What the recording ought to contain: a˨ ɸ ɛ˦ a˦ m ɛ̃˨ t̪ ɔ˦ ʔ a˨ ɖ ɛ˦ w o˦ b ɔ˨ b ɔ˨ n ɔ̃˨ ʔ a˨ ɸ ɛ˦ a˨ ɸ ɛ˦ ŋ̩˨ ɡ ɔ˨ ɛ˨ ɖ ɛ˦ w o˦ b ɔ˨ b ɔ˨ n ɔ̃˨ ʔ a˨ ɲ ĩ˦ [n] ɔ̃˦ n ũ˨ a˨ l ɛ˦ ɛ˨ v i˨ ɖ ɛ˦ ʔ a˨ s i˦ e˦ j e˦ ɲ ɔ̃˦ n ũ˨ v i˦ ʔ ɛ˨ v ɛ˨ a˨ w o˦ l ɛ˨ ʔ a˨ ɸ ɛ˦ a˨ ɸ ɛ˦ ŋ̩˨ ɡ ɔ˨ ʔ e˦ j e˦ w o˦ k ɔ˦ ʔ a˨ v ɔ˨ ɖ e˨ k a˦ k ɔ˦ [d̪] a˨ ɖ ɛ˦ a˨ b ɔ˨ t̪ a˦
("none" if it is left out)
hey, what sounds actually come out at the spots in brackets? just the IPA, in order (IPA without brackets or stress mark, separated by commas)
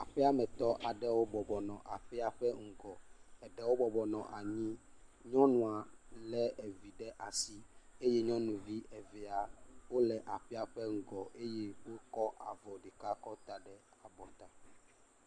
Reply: ɲ, t̪